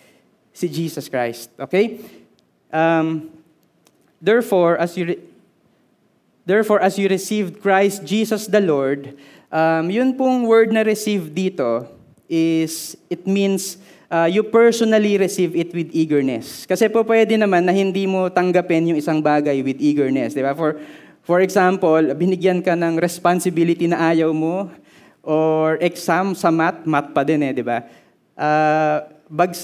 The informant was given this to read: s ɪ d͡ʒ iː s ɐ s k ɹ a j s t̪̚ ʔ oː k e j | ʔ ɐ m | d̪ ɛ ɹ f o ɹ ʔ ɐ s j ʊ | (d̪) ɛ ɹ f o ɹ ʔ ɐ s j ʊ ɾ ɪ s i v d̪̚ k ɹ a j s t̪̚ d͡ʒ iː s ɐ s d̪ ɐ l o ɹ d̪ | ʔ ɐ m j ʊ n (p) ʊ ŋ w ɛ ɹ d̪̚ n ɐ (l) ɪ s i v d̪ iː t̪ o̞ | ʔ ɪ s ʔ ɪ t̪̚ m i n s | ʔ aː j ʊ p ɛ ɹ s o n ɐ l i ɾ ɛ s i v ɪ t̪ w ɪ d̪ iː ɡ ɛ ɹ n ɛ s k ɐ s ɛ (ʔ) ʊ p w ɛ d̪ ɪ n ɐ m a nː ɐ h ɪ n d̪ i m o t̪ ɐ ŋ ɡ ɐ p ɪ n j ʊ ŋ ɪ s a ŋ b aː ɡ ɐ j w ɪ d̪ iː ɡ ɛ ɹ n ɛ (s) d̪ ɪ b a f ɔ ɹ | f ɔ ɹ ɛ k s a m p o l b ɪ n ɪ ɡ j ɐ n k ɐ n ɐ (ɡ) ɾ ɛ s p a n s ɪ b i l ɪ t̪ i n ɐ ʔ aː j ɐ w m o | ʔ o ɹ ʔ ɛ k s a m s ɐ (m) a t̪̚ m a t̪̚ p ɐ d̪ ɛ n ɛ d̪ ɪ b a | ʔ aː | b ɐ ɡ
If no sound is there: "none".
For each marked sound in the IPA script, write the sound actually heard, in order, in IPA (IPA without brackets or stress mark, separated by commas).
d̪, p, ɾ, p, s, ŋ, m